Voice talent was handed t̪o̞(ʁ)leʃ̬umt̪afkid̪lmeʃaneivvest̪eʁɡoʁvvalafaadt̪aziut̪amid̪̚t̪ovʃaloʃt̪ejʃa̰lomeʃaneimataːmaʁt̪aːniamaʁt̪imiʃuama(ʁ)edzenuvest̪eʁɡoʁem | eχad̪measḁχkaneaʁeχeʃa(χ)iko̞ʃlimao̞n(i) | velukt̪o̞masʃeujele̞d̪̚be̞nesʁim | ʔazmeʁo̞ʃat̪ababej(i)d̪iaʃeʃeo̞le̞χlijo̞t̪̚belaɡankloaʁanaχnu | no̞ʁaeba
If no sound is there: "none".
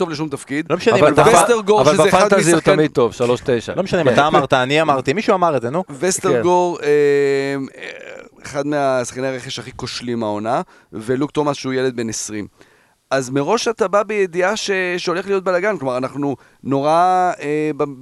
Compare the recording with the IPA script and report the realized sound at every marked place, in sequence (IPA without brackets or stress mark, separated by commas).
v, ʁ, χ, a, e